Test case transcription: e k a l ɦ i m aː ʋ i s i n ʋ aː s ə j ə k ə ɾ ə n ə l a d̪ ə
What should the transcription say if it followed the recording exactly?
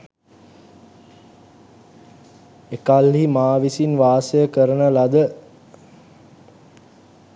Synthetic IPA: e k a l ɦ i m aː ʋ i s i n ʋ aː s ə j ə k ə ɾ ə n ə l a d̪ ə